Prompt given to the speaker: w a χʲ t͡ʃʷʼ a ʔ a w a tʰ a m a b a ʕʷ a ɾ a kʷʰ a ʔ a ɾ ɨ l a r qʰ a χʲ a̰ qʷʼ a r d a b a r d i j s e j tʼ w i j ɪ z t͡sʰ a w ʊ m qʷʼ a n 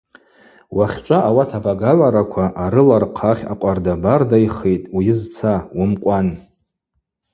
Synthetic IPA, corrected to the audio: w a χʲ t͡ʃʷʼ a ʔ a w a tʰ a b a ɡ a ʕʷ a ɾ a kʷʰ a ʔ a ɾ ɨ l a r qʰ a χʲ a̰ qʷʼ a r d a b a r d a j χ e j tʼ w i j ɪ z t͡sʰ a w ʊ m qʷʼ a n